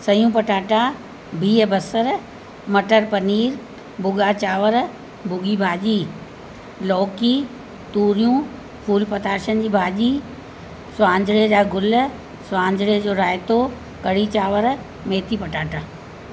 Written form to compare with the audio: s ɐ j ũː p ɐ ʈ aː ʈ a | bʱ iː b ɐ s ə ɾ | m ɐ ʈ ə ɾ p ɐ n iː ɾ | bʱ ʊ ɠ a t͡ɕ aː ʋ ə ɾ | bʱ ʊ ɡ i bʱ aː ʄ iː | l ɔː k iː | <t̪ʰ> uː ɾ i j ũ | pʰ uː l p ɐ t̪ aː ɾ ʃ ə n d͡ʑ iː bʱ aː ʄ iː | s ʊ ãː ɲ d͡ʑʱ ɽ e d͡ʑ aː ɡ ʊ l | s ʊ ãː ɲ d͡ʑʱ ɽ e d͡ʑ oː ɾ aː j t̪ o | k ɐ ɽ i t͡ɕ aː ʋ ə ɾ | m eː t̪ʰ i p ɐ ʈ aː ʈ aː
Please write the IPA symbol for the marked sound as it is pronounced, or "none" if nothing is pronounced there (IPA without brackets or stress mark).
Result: t̪